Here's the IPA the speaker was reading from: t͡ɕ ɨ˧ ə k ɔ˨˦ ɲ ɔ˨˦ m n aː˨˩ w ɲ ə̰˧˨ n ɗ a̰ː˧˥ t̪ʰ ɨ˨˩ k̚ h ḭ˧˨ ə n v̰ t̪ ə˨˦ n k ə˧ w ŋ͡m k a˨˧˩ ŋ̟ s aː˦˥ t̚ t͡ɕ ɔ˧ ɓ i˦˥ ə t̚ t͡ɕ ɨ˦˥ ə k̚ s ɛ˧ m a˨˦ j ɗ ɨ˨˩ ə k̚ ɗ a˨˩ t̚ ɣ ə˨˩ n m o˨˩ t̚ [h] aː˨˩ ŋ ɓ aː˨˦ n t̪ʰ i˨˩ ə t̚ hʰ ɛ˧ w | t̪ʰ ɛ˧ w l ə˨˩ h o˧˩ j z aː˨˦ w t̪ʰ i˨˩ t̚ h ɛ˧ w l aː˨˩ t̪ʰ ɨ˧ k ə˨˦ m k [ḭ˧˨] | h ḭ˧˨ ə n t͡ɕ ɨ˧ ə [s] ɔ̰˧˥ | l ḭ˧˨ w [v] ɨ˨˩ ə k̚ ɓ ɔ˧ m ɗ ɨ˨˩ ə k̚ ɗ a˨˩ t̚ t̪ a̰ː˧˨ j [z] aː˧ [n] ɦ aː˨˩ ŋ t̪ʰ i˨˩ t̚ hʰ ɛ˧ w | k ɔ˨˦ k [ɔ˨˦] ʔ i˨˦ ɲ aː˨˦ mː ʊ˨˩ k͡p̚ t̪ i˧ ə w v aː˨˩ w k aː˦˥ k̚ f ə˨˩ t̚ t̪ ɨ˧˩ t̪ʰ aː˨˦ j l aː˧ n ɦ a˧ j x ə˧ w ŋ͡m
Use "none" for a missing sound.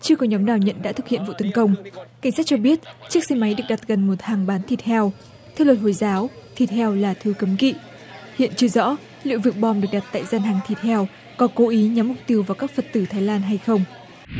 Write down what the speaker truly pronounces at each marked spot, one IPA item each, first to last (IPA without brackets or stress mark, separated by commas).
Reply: h, ḭ˧˨, z, v, z, n, o˨˦